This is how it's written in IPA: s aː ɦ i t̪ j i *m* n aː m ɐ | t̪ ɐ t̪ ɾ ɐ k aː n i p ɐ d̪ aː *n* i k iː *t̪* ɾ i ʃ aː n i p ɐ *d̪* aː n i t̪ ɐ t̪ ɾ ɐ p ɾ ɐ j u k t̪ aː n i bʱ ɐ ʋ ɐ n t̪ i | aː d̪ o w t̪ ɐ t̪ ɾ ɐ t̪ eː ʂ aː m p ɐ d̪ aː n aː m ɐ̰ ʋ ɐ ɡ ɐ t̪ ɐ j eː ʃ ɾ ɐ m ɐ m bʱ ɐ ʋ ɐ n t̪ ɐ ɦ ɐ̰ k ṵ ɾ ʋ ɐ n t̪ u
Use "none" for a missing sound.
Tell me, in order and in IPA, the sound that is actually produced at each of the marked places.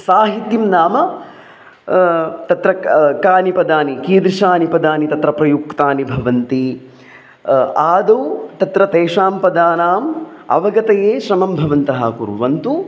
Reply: m, n, d̪, d̪

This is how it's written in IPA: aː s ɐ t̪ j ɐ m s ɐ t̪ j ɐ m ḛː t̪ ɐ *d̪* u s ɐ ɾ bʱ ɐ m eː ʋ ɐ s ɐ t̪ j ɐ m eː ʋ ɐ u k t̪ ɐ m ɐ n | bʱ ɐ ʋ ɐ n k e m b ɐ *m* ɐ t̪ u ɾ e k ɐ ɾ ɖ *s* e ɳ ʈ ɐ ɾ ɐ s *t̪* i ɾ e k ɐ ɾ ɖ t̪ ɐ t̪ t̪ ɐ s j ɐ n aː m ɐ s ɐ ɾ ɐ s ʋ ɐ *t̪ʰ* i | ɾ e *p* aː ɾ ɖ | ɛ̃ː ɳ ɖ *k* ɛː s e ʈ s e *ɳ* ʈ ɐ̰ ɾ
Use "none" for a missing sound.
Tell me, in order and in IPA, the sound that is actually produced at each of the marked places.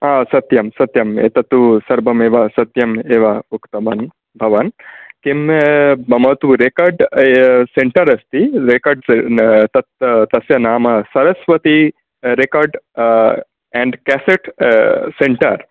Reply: t̪, m, s, t̪, t̪, k, k, ɳ

